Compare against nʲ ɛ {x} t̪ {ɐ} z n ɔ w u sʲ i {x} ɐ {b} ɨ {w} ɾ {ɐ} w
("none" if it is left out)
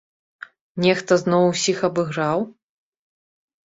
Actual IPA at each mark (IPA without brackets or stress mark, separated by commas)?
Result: x, ɐ, x, b, ɣ, a